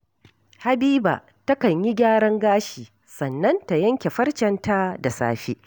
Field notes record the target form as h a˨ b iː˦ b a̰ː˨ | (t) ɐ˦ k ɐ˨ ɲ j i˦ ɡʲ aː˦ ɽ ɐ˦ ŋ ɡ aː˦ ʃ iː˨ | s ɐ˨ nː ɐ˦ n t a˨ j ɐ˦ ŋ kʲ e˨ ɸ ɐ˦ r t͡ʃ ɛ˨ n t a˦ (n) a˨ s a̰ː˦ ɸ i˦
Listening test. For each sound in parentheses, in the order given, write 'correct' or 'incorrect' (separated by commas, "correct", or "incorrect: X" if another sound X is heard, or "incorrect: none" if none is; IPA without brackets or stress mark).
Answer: correct, incorrect: d